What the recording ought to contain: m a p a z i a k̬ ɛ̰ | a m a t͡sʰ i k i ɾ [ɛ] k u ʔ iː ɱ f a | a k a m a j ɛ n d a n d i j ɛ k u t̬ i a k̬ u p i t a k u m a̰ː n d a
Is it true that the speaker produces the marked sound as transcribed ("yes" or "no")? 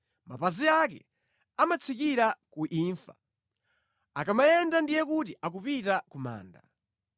no